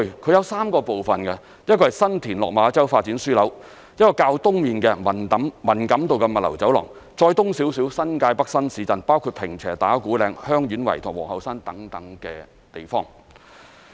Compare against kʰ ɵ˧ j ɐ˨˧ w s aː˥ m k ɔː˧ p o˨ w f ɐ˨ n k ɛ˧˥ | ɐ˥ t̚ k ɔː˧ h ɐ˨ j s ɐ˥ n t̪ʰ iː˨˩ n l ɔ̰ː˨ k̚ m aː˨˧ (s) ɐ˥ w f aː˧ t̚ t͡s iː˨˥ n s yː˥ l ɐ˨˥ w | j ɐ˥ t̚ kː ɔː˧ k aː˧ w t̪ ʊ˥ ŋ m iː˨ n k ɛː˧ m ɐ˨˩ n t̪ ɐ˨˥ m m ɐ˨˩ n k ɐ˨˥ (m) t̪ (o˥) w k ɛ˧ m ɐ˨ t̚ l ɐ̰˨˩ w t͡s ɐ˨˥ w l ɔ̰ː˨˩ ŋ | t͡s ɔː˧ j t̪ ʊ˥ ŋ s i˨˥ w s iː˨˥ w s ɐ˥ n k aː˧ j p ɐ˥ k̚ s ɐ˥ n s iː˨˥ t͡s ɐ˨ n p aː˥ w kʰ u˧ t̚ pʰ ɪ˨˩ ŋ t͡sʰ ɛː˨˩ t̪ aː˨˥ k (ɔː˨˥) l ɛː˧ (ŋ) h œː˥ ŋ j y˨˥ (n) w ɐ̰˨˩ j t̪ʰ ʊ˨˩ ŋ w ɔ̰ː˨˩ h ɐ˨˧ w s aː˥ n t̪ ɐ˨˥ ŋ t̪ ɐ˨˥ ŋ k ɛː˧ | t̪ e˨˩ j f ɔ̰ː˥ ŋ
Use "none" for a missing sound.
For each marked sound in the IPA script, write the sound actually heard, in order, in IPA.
t͡s, m, o˨, uː˨˥, ŋ, n

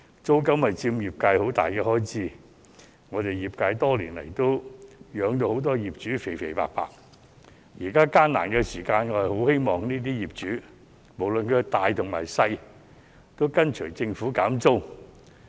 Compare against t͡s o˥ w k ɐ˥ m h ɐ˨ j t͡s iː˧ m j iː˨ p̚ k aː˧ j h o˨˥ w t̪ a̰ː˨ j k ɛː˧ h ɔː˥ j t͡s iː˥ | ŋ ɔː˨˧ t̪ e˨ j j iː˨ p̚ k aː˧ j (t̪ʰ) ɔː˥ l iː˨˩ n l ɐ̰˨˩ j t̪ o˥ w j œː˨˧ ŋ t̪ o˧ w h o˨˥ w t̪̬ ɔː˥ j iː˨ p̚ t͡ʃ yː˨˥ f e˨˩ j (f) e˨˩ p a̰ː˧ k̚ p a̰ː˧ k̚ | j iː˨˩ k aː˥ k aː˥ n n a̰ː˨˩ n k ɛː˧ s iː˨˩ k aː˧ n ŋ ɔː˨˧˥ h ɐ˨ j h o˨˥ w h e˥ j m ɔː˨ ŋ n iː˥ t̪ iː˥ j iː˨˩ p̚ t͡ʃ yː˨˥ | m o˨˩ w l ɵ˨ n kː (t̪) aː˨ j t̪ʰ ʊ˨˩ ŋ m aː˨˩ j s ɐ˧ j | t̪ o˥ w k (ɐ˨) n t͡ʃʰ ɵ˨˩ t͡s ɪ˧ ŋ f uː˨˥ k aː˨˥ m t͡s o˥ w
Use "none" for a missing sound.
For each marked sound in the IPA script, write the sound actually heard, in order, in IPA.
t̪, f, t̪, ɐ˥

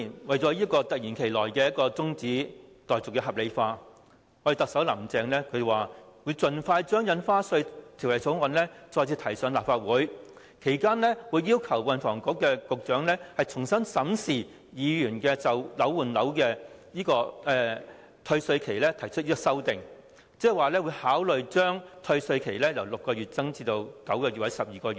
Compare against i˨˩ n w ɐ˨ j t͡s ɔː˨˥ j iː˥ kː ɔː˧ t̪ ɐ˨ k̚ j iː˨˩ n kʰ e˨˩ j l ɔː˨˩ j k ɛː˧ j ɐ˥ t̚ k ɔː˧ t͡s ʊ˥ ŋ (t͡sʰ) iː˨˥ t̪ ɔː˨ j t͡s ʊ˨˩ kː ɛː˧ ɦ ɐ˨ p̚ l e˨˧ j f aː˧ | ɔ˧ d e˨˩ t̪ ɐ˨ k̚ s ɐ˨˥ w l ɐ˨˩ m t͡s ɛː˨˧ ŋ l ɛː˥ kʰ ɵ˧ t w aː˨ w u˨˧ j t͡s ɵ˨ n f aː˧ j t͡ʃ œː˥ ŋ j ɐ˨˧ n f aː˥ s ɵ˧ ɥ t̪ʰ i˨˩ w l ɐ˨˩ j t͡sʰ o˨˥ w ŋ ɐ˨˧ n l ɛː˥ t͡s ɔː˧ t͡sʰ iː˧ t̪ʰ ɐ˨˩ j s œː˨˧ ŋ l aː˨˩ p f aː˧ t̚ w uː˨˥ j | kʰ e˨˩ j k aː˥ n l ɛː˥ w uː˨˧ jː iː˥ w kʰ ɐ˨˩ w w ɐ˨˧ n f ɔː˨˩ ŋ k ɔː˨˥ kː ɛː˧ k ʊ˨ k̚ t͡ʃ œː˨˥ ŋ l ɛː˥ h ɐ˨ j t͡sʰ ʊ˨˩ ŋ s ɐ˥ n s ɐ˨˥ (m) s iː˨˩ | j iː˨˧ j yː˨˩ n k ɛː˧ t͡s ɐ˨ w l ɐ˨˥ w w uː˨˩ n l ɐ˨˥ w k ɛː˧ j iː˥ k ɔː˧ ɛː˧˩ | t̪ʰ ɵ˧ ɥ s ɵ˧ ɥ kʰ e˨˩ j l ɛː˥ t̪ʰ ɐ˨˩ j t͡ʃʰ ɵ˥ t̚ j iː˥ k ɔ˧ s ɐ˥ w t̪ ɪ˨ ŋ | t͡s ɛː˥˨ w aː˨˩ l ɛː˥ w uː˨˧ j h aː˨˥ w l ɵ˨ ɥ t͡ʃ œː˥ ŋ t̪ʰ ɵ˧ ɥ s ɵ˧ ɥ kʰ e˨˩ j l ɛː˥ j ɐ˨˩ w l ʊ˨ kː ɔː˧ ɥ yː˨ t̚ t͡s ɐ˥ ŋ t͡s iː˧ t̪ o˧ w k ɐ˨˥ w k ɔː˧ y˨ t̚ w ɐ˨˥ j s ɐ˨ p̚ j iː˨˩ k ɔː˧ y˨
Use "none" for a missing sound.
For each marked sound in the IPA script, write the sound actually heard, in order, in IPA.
t͡s, m

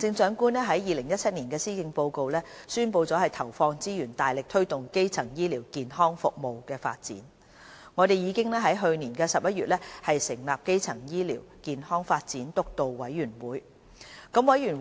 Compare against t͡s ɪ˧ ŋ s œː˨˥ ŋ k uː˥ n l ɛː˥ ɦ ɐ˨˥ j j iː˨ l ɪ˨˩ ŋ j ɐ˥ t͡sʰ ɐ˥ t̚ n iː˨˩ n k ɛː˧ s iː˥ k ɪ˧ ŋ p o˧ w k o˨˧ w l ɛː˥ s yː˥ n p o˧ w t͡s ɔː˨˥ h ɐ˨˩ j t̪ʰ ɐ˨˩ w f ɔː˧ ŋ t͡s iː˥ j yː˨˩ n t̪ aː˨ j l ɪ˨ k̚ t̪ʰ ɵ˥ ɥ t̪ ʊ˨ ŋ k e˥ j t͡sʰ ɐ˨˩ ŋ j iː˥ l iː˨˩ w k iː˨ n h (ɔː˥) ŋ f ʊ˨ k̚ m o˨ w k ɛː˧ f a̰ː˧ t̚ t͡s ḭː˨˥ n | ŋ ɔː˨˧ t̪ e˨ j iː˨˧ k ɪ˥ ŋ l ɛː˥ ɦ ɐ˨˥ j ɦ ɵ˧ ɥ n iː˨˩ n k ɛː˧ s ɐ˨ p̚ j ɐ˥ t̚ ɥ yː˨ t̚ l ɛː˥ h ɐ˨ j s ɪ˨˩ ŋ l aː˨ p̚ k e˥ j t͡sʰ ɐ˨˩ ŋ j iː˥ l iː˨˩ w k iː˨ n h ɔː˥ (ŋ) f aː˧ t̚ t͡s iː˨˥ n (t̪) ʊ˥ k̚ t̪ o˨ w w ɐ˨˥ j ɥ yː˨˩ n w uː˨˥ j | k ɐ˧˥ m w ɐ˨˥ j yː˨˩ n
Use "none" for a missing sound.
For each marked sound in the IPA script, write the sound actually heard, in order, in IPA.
ɔː˥, ŋ, t̪

